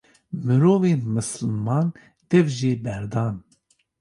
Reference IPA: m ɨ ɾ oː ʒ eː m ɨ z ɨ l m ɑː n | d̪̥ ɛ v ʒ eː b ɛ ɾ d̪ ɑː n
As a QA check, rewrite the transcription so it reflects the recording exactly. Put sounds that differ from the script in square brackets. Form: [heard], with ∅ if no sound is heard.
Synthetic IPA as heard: m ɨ ɾ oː [v] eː m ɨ [s] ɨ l m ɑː n | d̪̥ ɛ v ʒ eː b ɛ ɾ d̪ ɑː n